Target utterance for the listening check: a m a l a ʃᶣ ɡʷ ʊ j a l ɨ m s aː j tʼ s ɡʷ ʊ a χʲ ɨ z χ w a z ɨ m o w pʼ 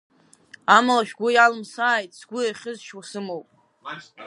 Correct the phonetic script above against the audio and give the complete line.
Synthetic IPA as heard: a m a l a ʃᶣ ɡʷ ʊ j a l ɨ m s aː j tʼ s ɡʷ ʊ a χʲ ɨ z ʃ w a s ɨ m o w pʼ